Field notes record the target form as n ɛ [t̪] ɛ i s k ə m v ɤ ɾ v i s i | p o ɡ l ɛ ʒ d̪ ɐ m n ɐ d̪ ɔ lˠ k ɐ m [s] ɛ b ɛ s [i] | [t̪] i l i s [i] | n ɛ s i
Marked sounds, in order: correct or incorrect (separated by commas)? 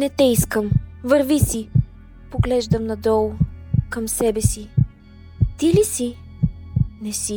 correct, correct, correct, correct, correct